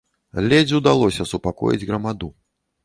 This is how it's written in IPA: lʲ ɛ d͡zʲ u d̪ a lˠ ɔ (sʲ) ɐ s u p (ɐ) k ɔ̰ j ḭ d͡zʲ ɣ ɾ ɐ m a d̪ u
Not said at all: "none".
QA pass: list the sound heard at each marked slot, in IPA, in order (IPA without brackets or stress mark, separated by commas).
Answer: sʲ, a